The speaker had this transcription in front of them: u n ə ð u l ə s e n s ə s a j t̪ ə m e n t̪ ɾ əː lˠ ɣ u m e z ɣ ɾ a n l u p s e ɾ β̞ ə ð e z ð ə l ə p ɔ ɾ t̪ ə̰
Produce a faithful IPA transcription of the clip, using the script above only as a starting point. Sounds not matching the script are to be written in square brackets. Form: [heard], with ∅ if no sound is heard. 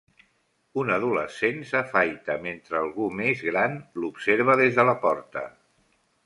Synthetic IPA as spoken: u n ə ð u l ə s e n s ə [f] a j t̪ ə m e n t̪ ɾ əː lˠ ɣ u m e z ɣ ɾ a n l u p s e ɾ β̞ ə ð e z ð ə l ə p ɔ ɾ t̪ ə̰